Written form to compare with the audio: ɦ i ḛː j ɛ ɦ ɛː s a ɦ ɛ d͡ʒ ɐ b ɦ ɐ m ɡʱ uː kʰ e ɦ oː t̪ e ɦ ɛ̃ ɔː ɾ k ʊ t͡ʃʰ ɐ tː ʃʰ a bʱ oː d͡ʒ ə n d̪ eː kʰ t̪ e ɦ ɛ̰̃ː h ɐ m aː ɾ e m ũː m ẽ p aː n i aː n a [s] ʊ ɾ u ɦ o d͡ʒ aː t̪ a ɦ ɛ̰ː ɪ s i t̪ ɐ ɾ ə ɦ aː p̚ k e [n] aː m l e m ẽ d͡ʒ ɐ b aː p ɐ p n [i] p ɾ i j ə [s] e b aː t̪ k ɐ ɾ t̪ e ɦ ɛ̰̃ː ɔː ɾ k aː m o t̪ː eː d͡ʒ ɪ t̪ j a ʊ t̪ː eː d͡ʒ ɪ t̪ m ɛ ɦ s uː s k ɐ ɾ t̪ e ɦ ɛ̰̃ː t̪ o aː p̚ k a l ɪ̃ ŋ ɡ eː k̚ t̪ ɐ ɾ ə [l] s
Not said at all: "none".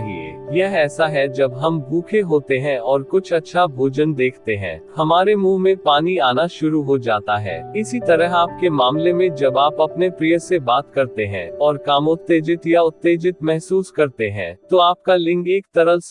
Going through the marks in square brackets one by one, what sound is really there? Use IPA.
ʃ, m, e, s, l

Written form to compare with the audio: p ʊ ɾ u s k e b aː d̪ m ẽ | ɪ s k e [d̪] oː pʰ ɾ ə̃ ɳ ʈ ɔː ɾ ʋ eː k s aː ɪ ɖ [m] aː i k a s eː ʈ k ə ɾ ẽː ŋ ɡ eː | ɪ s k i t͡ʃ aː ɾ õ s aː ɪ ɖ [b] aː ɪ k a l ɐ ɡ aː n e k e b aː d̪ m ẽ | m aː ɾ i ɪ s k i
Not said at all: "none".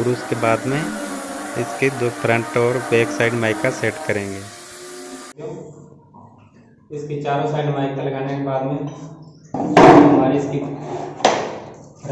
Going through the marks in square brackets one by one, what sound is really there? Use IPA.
d̪, m, m

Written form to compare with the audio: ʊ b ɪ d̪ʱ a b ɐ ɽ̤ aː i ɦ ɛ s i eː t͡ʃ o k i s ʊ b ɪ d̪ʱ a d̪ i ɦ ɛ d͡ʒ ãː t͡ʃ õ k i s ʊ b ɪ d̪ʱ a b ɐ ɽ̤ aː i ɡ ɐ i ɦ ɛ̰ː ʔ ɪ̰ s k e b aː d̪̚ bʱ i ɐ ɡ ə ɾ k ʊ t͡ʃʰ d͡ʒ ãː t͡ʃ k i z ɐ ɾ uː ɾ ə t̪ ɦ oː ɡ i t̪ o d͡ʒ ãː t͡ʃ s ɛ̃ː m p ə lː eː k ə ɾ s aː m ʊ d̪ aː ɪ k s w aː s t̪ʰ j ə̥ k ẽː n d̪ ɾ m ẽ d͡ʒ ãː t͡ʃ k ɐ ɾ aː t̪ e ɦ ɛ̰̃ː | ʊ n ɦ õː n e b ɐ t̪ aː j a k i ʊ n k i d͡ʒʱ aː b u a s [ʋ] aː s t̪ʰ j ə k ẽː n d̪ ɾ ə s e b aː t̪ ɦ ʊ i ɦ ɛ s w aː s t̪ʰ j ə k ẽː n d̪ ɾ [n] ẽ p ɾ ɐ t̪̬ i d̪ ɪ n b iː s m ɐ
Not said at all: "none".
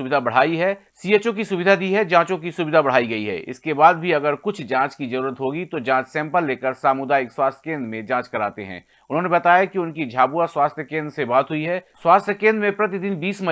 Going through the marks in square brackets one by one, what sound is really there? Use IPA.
w, m

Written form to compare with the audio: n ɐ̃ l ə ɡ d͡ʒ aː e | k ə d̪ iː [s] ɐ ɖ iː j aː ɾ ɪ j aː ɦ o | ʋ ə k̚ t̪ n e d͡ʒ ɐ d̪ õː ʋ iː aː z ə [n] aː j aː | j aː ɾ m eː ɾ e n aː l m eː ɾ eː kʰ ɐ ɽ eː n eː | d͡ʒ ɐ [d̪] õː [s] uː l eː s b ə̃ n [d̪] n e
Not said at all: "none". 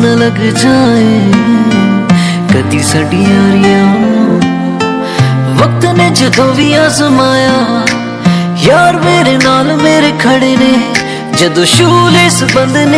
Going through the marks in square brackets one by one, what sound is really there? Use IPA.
s, m, d̪, ʃ, d̪

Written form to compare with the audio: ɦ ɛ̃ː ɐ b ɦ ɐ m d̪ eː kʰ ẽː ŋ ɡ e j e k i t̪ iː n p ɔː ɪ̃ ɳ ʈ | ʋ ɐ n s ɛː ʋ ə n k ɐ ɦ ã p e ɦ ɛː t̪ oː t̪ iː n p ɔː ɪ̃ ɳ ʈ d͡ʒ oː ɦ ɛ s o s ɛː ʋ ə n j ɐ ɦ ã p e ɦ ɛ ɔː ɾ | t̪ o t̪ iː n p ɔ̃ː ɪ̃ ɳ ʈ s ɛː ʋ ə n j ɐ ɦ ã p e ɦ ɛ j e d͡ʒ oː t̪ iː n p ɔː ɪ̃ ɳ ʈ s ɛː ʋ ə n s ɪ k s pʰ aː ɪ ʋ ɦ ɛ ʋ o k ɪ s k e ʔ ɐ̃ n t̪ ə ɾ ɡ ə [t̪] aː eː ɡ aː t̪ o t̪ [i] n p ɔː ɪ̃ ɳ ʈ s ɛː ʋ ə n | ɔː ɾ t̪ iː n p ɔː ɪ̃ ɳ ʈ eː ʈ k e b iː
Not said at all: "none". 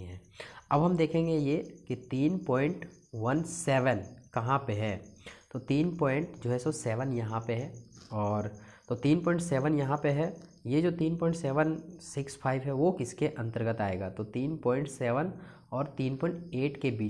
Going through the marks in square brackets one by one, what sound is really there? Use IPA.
t̪, iː

